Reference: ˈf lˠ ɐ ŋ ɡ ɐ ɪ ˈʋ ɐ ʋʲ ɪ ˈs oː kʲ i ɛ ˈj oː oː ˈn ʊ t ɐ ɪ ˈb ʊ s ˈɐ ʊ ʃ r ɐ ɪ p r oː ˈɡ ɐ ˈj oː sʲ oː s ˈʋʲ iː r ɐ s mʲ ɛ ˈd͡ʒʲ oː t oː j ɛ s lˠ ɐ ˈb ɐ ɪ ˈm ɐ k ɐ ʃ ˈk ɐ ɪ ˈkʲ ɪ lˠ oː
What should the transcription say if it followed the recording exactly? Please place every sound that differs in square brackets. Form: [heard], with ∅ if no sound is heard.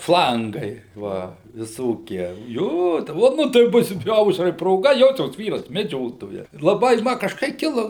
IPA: ˈf lˠ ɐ ŋ ɡ ɐ ɪ ˈʋ ɐ ʋʲ ɪ ˈs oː kʲ i ɛ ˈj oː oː ˈn ʊ t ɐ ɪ ˈb ʊ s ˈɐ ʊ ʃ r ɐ ɪ p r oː ˈɡ ɐ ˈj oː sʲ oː s ˈʋʲ iː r ɐ s mʲ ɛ ˈd͡ʒʲ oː t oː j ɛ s lˠ ɐ ˈb ɐ ɪ ˈm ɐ k ɐ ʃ ˈk ɐ ɪ ˈkʲ ɪ lˠ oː